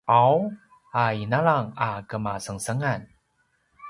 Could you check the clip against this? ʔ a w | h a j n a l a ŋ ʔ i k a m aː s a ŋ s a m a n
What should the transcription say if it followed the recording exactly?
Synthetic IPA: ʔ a w | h a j n a l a ŋ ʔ a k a m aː s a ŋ s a ŋ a n